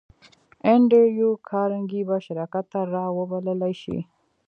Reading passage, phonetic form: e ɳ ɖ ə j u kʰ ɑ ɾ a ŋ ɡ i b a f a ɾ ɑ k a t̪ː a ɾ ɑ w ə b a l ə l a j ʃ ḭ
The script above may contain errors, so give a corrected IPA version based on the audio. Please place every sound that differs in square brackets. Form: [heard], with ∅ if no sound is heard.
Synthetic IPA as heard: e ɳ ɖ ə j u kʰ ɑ ɾ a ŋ ɡ i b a [ʃ] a ɾ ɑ k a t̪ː a ɾ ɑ w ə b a l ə l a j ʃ ḭ